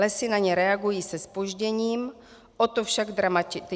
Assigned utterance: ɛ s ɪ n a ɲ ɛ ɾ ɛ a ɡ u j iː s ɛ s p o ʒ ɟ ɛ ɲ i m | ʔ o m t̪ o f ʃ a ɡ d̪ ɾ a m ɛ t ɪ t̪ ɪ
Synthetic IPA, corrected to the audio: ɛ s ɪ n a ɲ ɛ ɾ ɛ a ɡ u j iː s ɛ s p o ʒ ɟ ɛ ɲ iː m | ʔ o t̪ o f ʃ a ɡ d̪ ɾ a m a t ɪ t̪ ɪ